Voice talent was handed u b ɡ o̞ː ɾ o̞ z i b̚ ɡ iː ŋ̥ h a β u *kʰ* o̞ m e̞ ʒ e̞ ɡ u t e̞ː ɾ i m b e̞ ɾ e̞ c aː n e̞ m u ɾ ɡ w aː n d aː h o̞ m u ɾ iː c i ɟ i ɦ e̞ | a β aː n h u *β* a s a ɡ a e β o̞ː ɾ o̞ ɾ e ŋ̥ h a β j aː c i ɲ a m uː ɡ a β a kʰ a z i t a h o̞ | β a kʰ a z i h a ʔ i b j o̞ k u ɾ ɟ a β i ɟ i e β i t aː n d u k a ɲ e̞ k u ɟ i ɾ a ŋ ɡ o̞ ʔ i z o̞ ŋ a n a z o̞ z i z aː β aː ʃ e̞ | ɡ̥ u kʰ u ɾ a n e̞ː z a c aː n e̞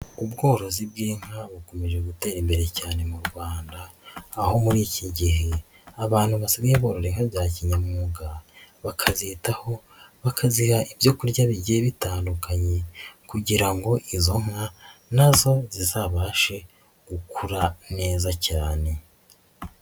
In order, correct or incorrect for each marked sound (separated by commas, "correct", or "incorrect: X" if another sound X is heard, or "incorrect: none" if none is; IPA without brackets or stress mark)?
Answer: incorrect: k, correct